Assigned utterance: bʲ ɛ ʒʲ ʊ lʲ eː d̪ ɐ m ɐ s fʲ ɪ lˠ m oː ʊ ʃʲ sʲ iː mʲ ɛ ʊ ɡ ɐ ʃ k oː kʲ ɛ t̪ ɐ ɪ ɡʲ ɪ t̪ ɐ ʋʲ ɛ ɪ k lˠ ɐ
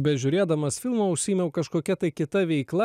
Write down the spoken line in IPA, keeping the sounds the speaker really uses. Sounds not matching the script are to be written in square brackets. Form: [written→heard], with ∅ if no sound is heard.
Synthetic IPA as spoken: bʲ ɛ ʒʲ ʊ [lʲ→ɾʲ] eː d̪ ɐ m ɐ s fʲ ɪ lˠ m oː ʊ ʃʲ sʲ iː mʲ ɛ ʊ [ɡ→k] ɐ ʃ k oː kʲ ɛ t̪ ɐ ɪ [ɡʲ→kʲ] ɪ t̪ ɐ ʋʲ ɛ ɪ k lˠ ɐ